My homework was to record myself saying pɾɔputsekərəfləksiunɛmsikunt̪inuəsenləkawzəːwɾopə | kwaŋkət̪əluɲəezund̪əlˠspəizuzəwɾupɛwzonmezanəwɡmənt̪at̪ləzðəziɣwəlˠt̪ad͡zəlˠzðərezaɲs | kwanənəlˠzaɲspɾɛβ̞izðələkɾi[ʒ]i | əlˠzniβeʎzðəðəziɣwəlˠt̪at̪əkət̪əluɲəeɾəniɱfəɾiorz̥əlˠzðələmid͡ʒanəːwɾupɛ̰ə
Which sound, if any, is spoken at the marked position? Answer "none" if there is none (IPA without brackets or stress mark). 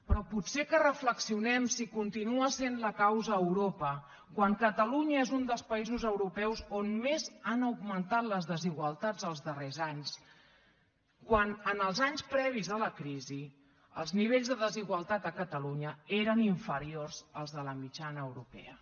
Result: z